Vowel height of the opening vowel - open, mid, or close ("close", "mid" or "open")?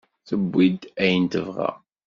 mid